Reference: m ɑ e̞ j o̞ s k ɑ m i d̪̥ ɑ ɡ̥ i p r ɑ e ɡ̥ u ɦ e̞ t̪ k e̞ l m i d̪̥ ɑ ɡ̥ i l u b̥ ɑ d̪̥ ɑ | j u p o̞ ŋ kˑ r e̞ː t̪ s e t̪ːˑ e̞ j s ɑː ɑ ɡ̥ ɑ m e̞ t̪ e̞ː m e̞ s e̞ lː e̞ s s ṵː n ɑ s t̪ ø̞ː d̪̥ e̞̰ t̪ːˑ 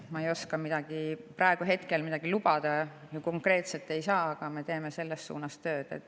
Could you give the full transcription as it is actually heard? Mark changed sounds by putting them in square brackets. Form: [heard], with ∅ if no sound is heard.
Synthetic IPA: m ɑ e̞ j o̞ s k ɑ m i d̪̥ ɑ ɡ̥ i p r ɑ e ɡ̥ u ɦ e̞ t̪ k e̞ l m i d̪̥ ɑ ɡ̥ i l u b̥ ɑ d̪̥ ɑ | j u [k] o̞ ŋ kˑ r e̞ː t̪ s e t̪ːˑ e̞ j s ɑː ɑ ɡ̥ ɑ m e̞ t̪ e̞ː m e̞ s e̞ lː e̞ s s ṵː n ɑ s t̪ ø̞ː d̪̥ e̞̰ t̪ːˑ

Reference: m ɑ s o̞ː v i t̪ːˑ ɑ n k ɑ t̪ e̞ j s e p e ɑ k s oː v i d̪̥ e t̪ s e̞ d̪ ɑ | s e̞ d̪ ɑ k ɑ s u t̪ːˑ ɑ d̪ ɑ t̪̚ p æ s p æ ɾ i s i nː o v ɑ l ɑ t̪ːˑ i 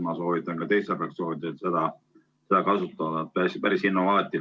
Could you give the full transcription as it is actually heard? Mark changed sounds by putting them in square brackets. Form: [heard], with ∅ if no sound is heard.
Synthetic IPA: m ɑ s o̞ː v i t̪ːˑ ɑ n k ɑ t̪ e̞ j s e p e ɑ k s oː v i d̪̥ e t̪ s e̞ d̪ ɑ | s e̞ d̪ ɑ k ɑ s u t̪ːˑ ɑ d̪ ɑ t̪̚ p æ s p æ ɾ i s i nː o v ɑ l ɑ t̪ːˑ i

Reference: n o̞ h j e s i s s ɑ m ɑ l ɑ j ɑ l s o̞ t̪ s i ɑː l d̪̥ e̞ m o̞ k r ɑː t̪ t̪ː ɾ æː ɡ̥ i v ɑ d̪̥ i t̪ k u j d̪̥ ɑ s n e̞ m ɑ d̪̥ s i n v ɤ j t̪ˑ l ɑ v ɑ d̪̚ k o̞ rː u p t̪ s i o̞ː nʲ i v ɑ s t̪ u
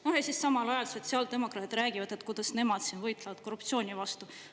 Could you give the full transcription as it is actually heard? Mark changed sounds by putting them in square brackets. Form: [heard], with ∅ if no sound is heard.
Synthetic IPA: n o̞ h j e s i s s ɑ m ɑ l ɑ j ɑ l s o̞ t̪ s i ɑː l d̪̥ e̞ m o̞ k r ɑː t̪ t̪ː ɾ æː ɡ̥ i v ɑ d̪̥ [e] t̪ k u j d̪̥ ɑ s n e̞ m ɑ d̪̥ s i n v ɤ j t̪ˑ l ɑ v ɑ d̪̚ k o̞ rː u p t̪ s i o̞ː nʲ i v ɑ s t̪ u

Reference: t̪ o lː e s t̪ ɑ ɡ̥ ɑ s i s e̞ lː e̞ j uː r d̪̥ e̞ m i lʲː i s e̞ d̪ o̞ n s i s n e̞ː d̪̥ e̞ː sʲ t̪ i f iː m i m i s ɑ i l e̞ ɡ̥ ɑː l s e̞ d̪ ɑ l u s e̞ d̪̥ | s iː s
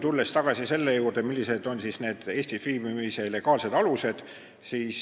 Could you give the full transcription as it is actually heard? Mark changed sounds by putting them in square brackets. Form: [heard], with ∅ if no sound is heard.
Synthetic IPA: t̪ [u] lː e s t̪ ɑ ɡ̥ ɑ s i s e̞ lː e̞ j uː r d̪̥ e̞ m i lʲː i s e̞ d̪ o̞ n s i s n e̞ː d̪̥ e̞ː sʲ t̪ i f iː m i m i s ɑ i l e̞ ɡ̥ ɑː l s e̞ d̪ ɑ l u s e̞ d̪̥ | s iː s

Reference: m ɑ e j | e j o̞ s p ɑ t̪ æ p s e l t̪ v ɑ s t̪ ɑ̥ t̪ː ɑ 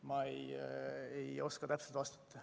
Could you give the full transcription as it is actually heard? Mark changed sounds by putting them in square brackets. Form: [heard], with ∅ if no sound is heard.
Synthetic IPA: m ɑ e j | e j o̞ s [k] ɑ t̪ æ p s e l t̪ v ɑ s t̪ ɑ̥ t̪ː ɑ

